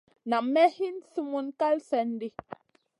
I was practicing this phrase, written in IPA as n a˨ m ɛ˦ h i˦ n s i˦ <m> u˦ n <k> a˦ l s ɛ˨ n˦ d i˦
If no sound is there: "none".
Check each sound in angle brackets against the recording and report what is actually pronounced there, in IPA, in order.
m, k

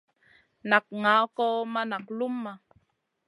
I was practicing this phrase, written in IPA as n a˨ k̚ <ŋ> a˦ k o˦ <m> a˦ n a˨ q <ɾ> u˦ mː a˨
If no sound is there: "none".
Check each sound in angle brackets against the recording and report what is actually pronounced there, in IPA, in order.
ŋ, m, l

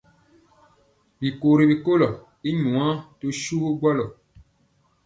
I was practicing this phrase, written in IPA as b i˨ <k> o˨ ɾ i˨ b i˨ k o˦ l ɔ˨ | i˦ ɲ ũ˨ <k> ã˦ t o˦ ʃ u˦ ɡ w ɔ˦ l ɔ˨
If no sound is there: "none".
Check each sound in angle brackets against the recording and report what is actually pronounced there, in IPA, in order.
k, none

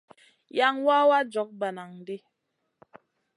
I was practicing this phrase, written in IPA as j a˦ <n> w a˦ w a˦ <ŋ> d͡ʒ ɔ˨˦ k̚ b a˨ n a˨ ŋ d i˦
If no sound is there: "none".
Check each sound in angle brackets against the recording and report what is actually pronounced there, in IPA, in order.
ŋ, none

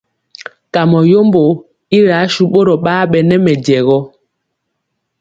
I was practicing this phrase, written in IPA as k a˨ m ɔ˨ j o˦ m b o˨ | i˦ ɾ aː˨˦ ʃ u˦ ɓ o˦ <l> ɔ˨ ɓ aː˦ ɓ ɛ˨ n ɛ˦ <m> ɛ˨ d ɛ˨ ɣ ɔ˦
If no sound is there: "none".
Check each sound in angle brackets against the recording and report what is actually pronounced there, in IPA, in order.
ɾ, m

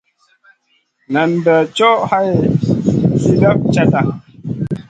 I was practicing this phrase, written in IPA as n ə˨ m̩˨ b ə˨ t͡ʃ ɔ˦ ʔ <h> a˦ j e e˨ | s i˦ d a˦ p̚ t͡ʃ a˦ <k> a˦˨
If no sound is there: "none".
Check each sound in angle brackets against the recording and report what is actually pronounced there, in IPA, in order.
h, t

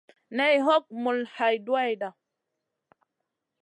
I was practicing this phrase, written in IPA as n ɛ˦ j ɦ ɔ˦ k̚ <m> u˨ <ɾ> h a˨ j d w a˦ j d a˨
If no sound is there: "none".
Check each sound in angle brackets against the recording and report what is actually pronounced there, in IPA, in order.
m, l

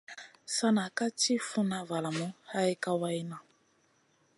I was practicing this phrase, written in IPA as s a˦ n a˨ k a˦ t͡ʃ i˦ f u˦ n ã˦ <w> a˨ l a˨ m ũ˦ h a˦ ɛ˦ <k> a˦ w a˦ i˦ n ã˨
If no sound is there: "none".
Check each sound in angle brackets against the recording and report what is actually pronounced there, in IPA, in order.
v, k

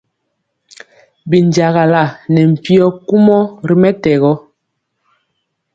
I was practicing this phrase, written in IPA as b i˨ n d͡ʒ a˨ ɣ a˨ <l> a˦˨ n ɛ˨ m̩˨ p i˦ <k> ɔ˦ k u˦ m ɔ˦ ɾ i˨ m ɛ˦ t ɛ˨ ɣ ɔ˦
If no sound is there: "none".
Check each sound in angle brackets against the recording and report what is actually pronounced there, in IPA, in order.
l, none

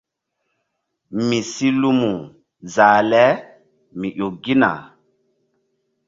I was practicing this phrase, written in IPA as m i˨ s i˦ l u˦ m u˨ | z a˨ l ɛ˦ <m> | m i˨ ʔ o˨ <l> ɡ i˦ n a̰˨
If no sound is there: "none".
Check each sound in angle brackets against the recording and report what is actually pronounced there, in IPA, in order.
none, none

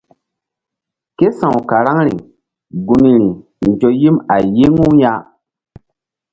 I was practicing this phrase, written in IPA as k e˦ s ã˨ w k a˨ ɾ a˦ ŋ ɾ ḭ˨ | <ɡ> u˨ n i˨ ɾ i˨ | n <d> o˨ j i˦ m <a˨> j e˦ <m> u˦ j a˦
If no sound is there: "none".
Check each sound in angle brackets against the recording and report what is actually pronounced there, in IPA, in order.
ɡ, d͡ʒ, a˨, ŋ

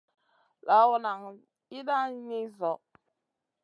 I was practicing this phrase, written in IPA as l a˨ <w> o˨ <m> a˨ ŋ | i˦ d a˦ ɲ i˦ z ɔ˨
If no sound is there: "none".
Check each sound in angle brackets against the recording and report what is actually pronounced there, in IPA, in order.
w, n

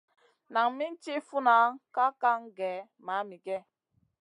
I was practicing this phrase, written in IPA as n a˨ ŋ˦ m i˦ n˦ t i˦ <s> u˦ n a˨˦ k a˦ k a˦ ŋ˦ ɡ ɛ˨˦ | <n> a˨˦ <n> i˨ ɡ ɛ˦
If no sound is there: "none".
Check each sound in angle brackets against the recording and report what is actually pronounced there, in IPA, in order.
f, m, m

